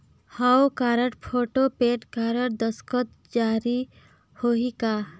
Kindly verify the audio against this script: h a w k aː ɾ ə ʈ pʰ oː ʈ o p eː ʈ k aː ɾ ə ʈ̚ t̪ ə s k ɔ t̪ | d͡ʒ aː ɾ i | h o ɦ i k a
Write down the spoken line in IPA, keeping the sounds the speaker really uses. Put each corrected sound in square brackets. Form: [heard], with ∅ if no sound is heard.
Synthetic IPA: h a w k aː ɾ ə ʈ pʰ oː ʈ o p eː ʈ k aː ɾ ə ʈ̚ [d̪] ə s k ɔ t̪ | d͡ʒ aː ɾ i | h o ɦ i k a